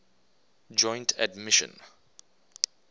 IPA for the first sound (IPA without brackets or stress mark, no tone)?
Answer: d͡ʒ